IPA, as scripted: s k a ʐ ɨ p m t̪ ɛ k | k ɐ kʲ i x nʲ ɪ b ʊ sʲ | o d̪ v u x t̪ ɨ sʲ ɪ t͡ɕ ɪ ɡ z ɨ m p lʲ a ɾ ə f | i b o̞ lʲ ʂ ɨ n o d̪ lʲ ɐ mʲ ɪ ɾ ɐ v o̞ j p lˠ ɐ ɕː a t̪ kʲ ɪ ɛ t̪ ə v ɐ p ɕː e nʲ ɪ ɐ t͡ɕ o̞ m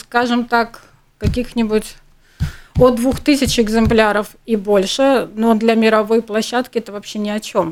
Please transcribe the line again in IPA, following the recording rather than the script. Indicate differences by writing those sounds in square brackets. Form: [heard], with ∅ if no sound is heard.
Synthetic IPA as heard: s k a ʐ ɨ [∅] m t̪ [a] k | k ɐ kʲ i x nʲ ɪ b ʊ [tʲ] | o d̪ v u x t̪ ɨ sʲ ɪ t͡ɕ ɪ ɡ z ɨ m p lʲ a ɾ ə f | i b o̞ lʲ ʂ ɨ n o d̪ lʲ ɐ mʲ ɪ ɾ ɐ v o̞ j p lˠ ɐ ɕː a t̪ kʲ ɪ ɛ t̪ ə v ɐ p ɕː e nʲ ɪ ɐ t͡ɕ o̞ m